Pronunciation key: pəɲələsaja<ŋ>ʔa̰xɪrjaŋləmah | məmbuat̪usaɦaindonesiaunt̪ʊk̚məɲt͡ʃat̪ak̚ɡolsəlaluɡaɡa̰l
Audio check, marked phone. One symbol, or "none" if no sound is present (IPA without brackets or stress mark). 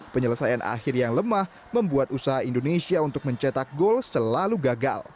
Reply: n